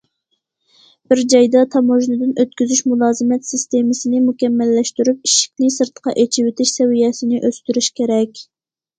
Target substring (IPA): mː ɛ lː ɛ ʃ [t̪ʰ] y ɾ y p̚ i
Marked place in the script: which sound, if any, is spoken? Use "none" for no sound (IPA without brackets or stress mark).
t̪